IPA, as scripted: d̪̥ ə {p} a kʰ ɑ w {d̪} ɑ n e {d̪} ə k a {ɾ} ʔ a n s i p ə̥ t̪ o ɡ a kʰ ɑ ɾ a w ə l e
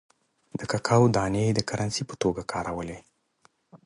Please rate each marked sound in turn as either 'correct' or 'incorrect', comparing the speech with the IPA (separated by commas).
incorrect, correct, correct, correct